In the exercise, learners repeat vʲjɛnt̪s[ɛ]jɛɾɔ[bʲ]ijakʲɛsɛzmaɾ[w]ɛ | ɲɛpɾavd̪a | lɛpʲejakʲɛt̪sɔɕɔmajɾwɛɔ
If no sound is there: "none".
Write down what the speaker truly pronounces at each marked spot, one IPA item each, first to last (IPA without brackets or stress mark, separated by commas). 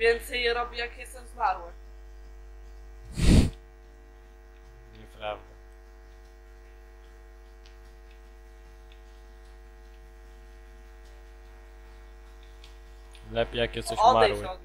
ɛ, bʲ, w